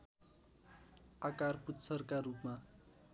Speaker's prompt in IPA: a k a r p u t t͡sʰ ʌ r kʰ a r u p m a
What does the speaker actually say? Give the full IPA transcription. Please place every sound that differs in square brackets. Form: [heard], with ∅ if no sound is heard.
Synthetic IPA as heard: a k a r p u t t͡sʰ ʌ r [k] a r u p m a